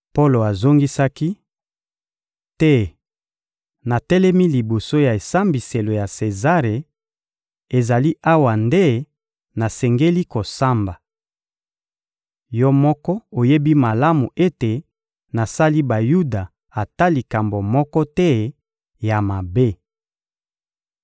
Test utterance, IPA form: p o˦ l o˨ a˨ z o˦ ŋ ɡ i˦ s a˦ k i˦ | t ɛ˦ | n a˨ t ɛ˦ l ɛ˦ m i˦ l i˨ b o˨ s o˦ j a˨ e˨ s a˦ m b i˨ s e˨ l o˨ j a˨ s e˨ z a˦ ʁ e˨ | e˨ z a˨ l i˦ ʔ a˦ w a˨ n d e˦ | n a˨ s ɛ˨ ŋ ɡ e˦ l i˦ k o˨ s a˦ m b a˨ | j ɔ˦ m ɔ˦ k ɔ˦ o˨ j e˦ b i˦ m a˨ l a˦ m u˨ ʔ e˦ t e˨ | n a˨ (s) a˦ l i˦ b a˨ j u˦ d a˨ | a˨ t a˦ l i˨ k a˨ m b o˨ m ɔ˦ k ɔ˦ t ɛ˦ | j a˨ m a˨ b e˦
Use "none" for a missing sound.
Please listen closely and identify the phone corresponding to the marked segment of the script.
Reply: s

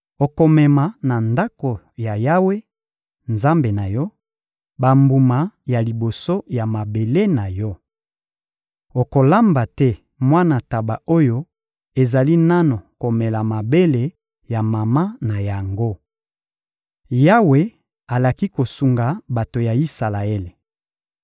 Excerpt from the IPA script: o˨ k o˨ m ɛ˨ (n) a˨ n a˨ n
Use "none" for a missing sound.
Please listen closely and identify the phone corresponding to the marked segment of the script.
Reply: m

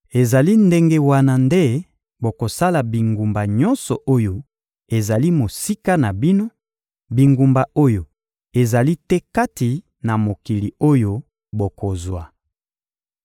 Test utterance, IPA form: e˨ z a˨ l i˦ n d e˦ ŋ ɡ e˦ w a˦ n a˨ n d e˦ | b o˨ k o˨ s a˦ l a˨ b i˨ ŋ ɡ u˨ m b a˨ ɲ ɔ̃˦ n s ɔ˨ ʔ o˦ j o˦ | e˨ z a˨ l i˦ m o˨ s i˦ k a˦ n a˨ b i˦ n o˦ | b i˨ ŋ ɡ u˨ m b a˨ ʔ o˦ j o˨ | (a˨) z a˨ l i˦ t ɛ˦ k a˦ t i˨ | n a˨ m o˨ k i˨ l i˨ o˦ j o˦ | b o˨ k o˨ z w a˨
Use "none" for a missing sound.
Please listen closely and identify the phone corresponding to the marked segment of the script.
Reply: e˨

